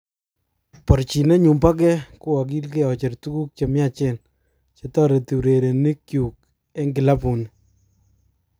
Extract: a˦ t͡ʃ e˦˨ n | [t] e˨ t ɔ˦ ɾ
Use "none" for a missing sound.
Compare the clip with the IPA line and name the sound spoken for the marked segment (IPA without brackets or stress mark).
t͡ʃ